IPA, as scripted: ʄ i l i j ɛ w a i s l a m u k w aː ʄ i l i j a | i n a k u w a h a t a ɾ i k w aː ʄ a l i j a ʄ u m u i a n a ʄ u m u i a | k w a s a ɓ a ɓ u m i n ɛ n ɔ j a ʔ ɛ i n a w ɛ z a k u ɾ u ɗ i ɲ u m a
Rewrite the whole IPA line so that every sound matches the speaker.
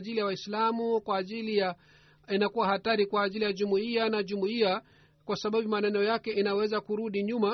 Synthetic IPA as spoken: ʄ i l i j a w a i s l a m u k w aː ʄ i l i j a | i n a k u w a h a t a ɾ i k w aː ʄ i l i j a ʄ u m u i a n a ʄ u m u i a | k w a s a ɓ a ɓ u m a n ɛ n ɔ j a k ɛ i n a w ɛ z a k u ɾ u ɗ i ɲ u m a